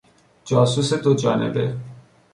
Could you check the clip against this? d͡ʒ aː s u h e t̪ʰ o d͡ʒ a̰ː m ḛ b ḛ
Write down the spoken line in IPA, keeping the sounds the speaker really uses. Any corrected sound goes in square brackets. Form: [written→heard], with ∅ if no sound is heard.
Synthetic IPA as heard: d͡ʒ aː s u [h→s] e [t̪ʰ→t̪] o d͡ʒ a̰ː [m→n] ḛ b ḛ